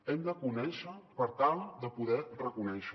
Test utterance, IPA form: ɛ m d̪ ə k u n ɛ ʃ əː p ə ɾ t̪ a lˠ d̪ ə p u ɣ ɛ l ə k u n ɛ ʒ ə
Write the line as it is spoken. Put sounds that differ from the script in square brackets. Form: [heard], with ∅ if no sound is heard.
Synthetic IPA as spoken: ɛ m d̪ ə k u n ɛ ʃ [ə] p ə ɾ t̪ a lˠ d̪ ə p u [ð] ɛ [r] ə k u n ɛ [ʃ] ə